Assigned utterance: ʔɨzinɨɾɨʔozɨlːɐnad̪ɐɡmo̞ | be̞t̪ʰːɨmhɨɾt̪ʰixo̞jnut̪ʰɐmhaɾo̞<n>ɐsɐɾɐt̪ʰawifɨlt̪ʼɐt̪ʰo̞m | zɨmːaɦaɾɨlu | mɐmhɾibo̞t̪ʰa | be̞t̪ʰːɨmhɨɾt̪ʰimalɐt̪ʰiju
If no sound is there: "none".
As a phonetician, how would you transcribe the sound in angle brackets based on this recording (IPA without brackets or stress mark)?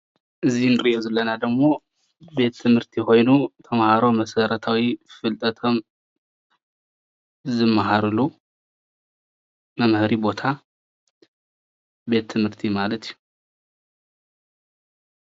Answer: m